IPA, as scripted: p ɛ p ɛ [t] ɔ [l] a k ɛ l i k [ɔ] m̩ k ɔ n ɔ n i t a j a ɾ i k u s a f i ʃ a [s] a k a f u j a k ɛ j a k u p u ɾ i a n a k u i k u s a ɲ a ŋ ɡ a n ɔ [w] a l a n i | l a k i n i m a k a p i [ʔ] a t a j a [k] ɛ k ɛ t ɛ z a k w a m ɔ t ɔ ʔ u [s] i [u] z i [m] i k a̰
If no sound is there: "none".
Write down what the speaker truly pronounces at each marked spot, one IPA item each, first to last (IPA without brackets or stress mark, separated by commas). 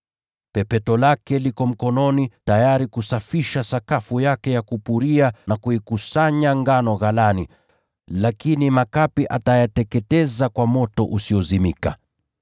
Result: t, l, ɔ, s, ɣ, ʔ, t, s, ɔ, m